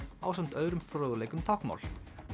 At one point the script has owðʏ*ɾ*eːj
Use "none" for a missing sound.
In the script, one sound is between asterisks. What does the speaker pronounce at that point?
l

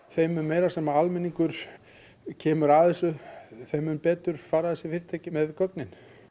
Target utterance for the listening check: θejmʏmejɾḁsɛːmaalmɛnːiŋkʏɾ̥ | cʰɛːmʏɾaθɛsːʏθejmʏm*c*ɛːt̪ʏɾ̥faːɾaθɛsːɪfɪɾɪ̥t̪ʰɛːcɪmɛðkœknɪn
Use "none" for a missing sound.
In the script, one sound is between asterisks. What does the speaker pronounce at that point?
p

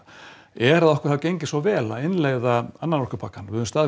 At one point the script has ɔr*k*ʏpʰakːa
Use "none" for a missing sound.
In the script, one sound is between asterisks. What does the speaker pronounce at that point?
k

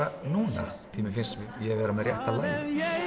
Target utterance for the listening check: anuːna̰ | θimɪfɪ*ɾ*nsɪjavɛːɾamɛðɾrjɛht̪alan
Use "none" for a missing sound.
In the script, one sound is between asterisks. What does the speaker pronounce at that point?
none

